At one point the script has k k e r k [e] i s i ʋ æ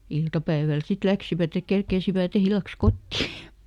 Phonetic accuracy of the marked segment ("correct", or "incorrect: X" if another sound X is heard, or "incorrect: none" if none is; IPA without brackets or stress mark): correct